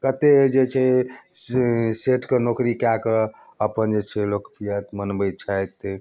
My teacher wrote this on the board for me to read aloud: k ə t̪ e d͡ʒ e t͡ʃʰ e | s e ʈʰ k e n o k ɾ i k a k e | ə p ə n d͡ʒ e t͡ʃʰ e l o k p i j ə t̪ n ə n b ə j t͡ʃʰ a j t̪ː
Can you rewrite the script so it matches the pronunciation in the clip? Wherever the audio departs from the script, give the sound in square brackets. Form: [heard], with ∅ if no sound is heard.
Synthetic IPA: k ə t̪ e d͡ʒ e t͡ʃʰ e | s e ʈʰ k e n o k ɾ i k a k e | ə p ə n d͡ʒ e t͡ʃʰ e l o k p i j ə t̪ [m] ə n b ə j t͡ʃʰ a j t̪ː